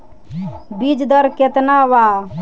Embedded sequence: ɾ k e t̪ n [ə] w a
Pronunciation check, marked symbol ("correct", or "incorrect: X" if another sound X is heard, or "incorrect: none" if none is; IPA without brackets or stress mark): incorrect: a